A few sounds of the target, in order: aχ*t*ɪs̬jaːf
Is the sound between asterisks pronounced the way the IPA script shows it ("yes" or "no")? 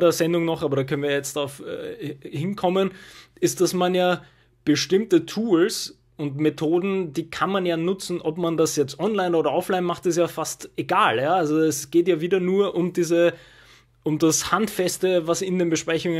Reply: yes